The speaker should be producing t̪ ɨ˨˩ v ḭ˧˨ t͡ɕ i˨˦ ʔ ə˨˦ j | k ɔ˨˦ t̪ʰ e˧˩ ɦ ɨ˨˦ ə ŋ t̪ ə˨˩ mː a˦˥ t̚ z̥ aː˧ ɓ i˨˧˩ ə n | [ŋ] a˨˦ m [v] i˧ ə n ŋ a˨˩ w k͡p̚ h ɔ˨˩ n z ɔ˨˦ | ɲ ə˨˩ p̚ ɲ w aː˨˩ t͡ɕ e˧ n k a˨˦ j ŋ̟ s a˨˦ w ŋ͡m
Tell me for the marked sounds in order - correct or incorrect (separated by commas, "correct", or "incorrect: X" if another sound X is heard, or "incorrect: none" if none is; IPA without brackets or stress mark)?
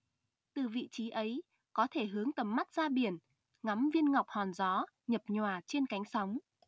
correct, correct